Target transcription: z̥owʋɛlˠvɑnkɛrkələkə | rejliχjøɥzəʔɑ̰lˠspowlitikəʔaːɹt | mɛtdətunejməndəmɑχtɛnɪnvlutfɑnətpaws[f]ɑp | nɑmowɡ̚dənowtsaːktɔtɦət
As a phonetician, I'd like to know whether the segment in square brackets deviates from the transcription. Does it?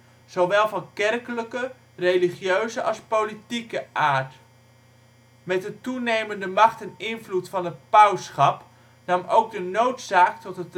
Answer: yes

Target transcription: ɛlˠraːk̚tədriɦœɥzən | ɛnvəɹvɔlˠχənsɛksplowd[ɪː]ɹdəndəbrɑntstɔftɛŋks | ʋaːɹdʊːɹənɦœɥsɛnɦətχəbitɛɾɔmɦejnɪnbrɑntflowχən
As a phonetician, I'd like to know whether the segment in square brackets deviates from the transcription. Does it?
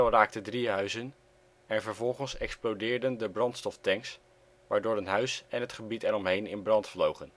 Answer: no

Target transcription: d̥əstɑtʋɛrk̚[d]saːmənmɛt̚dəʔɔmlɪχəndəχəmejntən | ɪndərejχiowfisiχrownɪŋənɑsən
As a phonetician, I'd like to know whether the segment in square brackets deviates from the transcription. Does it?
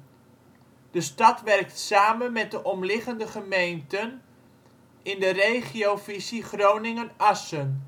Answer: yes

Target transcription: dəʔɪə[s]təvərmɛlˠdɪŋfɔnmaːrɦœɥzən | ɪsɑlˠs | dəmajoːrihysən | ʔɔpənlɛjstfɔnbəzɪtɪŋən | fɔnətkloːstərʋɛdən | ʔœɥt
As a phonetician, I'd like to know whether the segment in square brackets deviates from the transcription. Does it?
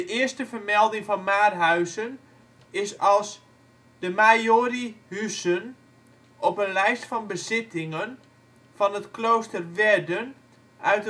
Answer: no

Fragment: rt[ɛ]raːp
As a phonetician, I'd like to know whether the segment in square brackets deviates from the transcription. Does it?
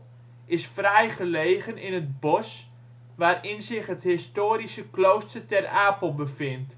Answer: no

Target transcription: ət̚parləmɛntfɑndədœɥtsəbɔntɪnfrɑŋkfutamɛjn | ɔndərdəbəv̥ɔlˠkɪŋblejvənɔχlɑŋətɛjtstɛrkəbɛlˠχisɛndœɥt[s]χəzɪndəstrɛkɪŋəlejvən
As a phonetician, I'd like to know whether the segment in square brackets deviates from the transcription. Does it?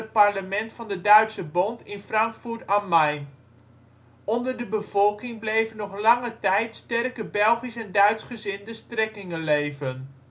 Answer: no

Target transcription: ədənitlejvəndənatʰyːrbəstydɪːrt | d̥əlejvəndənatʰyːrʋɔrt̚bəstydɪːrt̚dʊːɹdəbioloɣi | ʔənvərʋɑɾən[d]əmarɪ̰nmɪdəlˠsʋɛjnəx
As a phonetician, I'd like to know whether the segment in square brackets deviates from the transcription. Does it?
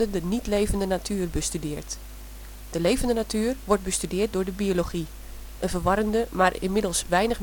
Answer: no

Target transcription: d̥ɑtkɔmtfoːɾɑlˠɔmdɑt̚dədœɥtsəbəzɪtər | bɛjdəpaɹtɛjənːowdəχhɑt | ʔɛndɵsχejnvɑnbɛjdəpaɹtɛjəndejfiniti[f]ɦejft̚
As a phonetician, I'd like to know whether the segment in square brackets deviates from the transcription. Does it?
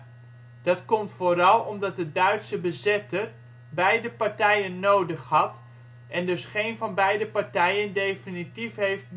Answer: no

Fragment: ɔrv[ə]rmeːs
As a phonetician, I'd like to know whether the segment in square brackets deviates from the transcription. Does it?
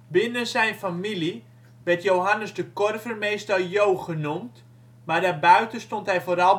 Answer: no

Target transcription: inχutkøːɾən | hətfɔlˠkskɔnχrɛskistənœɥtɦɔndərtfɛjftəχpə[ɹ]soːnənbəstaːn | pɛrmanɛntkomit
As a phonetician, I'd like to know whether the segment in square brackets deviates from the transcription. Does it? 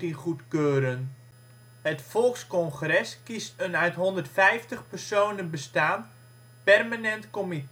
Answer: yes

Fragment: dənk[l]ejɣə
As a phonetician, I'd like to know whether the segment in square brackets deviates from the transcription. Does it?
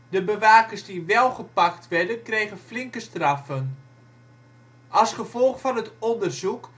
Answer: yes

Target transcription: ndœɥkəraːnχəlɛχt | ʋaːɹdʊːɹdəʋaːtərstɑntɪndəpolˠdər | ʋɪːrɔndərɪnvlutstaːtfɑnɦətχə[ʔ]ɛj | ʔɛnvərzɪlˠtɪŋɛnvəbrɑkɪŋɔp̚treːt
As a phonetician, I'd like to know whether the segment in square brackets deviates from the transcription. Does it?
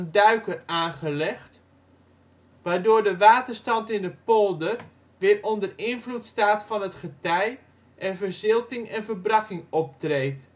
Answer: yes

